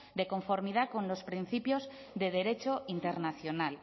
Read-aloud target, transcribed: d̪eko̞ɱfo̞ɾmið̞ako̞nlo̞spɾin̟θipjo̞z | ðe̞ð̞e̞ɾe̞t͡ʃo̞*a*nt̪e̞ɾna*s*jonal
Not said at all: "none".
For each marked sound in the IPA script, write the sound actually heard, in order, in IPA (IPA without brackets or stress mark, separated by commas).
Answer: i, θ